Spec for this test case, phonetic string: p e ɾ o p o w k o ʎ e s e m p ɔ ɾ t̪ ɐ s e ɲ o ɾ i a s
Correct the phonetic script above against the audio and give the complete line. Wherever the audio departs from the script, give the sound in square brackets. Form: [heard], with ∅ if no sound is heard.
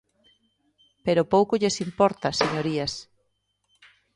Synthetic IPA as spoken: p e ɾ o p o w k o ʎ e s [i] m p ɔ ɾ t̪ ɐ s e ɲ o ɾ i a s